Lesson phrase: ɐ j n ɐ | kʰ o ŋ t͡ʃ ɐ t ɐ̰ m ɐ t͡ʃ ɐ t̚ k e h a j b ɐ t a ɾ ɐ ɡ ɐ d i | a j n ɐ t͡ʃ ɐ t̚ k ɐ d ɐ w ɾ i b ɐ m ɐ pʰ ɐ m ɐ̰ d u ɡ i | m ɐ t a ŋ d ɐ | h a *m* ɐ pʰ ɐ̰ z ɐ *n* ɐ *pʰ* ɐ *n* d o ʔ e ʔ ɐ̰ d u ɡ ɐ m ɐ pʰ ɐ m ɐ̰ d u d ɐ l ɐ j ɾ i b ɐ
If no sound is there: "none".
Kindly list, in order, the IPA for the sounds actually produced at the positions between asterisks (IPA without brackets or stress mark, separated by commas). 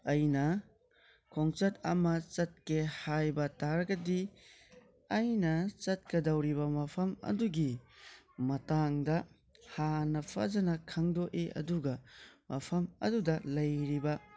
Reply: n, n, kʰ, ŋ